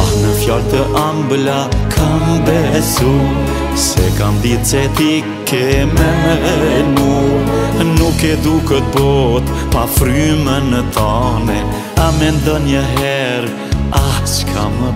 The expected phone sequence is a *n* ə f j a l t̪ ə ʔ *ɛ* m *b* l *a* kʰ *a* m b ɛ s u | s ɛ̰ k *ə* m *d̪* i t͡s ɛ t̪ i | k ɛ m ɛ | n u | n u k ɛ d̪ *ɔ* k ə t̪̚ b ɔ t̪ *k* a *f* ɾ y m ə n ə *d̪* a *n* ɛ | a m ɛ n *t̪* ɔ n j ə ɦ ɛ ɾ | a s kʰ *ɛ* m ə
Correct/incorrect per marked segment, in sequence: correct, incorrect, correct, correct, correct, incorrect, correct, incorrect, incorrect, correct, incorrect, correct, incorrect, incorrect

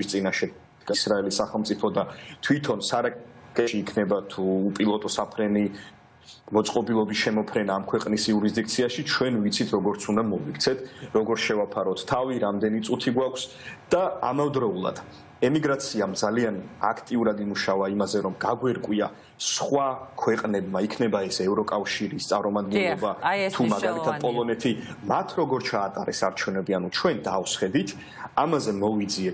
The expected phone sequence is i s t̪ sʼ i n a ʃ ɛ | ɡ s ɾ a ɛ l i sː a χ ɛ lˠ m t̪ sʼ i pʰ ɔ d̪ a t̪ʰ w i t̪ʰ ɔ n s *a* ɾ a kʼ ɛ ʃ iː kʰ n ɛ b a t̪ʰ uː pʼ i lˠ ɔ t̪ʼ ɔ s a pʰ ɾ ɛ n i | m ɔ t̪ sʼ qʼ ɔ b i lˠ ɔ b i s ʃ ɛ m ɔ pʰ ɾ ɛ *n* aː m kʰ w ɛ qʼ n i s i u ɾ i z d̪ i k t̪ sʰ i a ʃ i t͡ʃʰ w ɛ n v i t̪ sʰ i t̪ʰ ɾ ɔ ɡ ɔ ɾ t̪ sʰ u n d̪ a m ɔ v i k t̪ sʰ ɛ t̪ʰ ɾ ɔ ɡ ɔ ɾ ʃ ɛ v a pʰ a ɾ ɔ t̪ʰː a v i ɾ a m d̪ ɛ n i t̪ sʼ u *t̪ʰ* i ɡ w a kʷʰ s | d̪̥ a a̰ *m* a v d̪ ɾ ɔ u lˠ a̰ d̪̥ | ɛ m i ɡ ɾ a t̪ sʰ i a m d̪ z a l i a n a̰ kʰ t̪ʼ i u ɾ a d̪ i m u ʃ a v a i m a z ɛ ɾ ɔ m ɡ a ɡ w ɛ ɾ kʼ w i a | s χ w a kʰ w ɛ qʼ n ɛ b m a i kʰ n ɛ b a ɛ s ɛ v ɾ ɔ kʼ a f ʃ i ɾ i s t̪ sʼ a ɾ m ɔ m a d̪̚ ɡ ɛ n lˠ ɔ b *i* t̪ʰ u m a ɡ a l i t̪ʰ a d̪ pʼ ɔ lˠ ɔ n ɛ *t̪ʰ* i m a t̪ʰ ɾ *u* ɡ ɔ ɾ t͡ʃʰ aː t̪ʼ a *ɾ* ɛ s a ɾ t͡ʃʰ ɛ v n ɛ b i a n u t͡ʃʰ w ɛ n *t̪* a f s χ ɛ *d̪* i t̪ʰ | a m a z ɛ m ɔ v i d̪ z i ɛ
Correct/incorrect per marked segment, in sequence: correct, correct, correct, correct, incorrect, correct, incorrect, correct, incorrect, correct

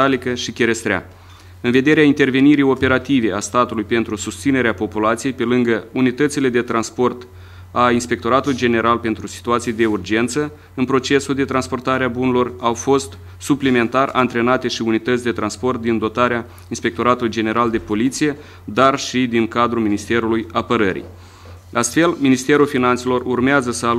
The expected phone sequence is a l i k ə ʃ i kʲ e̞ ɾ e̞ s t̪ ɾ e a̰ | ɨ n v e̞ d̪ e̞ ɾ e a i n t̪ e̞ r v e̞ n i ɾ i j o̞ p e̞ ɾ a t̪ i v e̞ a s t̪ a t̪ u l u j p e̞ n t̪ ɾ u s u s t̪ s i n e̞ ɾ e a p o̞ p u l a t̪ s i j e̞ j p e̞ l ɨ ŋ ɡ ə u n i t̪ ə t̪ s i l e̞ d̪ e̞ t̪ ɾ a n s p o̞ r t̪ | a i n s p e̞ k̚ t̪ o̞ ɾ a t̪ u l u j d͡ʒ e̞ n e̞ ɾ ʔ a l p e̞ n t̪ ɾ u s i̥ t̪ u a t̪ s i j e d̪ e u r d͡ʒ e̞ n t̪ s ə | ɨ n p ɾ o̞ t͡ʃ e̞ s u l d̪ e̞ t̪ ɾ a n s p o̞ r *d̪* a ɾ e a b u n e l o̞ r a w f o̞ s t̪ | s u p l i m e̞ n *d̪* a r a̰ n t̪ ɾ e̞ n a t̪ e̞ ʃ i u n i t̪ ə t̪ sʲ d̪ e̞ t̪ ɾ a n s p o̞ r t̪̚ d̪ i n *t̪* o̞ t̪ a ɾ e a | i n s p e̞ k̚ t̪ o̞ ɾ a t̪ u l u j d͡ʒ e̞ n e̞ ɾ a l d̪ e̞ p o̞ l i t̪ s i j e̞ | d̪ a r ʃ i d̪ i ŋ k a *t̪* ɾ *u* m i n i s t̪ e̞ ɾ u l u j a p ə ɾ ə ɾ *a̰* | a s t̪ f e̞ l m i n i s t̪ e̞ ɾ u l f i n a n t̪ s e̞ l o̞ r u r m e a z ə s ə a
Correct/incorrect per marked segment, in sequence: incorrect, incorrect, incorrect, incorrect, correct, incorrect

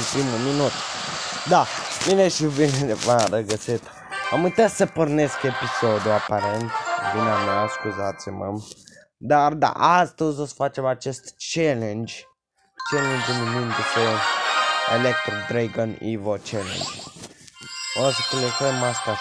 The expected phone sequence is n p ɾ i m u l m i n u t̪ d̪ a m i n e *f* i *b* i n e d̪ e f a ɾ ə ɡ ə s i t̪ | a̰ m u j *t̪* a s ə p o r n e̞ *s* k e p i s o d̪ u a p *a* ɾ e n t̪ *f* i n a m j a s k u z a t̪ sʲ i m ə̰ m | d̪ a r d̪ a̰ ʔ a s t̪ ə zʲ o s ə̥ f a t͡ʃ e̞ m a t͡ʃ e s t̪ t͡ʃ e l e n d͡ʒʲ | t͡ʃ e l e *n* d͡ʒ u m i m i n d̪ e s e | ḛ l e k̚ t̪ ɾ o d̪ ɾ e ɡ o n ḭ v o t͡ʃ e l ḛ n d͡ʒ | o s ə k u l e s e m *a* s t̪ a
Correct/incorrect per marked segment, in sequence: incorrect, incorrect, correct, correct, correct, incorrect, correct, correct

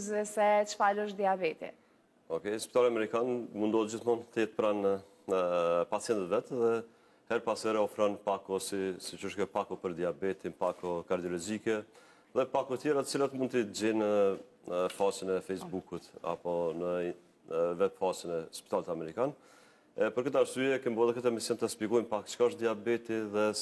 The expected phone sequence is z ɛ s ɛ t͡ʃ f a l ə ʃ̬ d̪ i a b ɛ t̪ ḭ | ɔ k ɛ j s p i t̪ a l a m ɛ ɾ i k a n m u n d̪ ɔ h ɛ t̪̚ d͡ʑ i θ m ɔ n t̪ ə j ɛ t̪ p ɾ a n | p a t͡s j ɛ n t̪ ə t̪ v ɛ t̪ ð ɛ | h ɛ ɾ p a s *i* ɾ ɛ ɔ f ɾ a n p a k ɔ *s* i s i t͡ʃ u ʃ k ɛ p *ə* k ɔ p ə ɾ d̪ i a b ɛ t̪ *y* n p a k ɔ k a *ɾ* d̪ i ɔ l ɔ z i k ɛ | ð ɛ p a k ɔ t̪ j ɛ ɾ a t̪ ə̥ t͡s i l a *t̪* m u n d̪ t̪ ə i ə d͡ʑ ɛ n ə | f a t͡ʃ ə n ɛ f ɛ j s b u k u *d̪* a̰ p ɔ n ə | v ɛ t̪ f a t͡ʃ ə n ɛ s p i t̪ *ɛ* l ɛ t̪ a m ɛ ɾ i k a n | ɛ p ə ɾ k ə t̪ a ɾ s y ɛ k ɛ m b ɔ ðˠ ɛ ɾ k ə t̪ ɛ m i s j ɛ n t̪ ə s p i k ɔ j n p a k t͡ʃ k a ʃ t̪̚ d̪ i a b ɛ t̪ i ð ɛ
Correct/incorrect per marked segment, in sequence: incorrect, correct, incorrect, incorrect, correct, correct, incorrect, incorrect

